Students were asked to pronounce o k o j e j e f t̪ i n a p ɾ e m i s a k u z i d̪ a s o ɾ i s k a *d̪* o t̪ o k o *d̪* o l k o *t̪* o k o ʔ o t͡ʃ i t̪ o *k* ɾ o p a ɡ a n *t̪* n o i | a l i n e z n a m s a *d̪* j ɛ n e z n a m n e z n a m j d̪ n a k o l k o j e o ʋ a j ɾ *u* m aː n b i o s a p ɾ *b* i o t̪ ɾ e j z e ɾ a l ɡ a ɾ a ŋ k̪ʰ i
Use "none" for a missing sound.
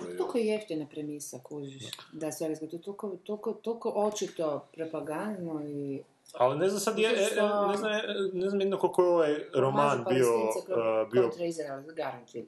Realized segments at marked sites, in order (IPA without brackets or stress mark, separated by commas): t̪, t̪, t̪, p, d̪, d̪, o, b